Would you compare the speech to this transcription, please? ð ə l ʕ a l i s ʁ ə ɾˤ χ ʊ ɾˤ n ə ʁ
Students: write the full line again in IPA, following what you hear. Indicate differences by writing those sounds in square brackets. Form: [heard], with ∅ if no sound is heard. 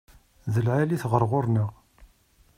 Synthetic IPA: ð ə l ʕ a l i [θ] ʁ ə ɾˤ [ʁ] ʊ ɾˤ n ə ʁ

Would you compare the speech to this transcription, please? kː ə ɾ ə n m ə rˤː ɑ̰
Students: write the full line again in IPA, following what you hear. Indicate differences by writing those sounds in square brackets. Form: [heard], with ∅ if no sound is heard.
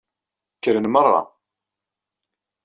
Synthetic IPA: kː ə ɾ ə n m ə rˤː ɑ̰

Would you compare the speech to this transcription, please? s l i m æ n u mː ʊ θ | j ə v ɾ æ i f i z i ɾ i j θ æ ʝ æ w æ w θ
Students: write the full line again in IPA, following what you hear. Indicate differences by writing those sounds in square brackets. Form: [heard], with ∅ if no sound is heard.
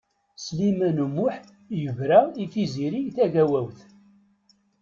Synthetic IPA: s l i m æ n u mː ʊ [ħ] | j ə v ɾ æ i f i z i ɾ i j θ æ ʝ æ w æ w θ

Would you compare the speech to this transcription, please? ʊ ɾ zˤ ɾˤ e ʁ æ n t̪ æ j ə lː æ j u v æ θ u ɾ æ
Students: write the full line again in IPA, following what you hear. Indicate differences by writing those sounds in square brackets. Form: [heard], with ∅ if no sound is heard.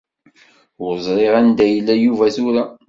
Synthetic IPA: ʊ ɾ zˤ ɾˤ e ʁ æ n [d̪] æ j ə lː æ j u v æ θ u ɾ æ

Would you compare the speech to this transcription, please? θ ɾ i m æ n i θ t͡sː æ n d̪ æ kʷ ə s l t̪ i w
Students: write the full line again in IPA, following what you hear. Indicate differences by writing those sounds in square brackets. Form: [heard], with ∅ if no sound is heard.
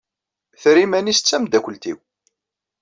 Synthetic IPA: θ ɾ i m æ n i [s] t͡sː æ [m] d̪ æ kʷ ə [∅] l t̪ i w

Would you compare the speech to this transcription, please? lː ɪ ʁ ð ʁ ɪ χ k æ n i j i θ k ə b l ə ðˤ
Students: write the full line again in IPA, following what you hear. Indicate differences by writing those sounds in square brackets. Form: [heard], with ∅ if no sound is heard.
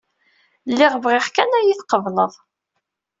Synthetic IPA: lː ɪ ʁ [v] ʁ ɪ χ k æ n [æ] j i θ [q] ə [v] l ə ðˤ

